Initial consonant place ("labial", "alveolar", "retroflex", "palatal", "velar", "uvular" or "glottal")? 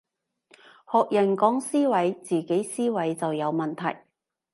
glottal